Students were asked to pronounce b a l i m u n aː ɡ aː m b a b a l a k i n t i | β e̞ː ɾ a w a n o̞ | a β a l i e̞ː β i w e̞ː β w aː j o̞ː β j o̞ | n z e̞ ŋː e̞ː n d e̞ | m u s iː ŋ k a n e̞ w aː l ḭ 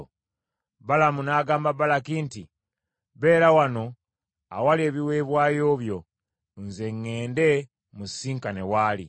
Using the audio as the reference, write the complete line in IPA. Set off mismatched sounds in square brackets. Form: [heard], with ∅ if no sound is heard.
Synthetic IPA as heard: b a l [a] m u n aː ɡ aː m b a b a l a k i n t i | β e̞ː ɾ a w a n o̞ | a [w] a l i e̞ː β i w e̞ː β w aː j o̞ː β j o̞ | n z e̞ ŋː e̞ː n d e̞ | m u s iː ŋ k a n e̞ w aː l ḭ